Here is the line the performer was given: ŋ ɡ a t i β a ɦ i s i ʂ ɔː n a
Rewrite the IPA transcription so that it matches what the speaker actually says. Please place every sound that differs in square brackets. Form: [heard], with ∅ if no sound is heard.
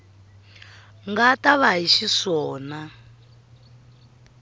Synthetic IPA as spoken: ŋ ɡ a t [a] β a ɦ i [ʃ] i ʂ ɔː n a